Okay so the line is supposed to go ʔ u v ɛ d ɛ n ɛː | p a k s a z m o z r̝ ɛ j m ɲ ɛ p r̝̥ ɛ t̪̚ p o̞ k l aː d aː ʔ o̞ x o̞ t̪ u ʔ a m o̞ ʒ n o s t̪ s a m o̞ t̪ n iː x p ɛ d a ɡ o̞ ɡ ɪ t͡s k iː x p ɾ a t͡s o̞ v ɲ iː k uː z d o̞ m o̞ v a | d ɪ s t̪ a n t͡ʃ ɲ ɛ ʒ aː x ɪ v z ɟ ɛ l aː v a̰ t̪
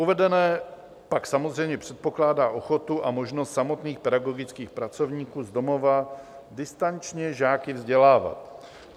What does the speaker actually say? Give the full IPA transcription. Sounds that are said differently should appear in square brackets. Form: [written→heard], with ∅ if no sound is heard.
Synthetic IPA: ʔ u v ɛ d ɛ n ɛː | p a k s a [z→∅] m o z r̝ ɛ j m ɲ ɛ p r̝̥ ɛ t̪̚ p o̞ k l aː d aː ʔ o̞ x o̞ t̪ u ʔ a m o̞ ʒ n o s t̪ s a m o̞ t̪ n iː x p ɛ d a ɡ o̞ ɡ ɪ t͡s k iː x p ɾ a t͡s o̞ v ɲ iː k uː z d o̞ m o̞ v a | d ɪ s t̪ a n t͡ʃ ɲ ɛ ʒ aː [x→k] ɪ v z ɟ ɛ l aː v a̰ t̪